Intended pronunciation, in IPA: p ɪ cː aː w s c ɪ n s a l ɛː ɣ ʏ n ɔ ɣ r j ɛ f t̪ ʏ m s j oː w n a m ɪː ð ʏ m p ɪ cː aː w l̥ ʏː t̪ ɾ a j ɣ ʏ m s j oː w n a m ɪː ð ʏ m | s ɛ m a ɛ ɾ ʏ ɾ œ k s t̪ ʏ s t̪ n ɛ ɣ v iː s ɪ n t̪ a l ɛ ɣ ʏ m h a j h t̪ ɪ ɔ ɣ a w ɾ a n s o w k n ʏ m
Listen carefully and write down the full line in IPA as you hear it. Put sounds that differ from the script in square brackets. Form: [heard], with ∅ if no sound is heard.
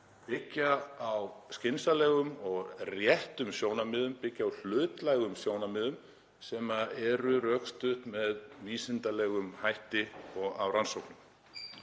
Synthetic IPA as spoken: p ɪ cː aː w s c ɪ n s a l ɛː ɣ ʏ [m] ɔ ɣ r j ɛ [h] t̪ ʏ m s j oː w n a m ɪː ð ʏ m p ɪ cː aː w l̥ ʏː t̪ [l] a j ɣ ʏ m s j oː w n a m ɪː ð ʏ m | s ɛ m a ɛ ɾ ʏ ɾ œ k s t̪ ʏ [h] t̪ [m] ɛ [ð] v iː s ɪ n t̪ a l ɛ ɣ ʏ m h a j h t̪ ɪ ɔ ɣ a w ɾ a n s o w k n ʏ m